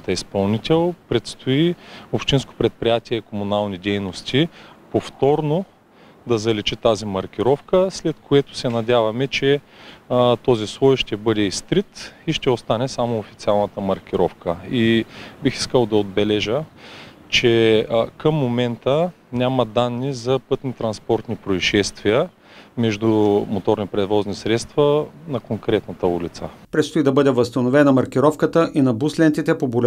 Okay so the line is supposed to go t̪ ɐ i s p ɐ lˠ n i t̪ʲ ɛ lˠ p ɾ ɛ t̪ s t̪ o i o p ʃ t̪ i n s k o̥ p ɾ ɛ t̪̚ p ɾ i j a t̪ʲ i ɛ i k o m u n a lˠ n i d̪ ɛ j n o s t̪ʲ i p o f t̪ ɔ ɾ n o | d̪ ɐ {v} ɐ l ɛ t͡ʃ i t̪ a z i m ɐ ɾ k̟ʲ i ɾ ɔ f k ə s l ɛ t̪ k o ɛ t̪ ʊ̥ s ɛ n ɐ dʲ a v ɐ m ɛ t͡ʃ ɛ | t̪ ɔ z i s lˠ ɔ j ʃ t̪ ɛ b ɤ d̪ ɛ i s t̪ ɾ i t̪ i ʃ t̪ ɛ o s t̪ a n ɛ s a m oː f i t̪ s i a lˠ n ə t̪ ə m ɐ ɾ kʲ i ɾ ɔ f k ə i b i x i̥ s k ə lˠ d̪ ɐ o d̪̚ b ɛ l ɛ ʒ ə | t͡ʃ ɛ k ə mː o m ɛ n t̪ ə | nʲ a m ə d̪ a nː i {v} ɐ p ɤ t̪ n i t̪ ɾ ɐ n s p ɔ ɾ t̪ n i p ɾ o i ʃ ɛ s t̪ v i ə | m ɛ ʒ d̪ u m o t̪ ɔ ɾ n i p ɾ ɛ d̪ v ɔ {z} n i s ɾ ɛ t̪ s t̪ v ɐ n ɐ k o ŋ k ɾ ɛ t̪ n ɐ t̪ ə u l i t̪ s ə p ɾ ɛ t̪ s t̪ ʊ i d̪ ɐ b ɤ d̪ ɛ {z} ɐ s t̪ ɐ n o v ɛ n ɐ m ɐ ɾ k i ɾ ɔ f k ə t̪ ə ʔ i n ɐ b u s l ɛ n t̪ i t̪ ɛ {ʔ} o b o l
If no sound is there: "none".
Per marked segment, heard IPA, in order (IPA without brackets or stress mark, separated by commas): z, z, z, v, p